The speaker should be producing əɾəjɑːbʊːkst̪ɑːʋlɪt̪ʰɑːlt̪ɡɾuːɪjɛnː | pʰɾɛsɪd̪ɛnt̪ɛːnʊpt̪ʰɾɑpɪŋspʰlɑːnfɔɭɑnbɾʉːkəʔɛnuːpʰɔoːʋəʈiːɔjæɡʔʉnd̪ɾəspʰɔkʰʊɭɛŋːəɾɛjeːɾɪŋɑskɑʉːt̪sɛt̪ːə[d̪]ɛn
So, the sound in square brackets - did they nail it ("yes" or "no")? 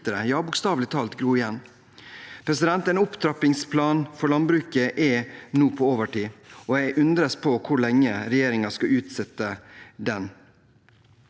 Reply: yes